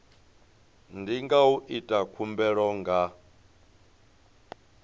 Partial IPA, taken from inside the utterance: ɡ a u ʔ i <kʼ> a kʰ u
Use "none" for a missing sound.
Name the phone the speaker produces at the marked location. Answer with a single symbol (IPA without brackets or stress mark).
tʼ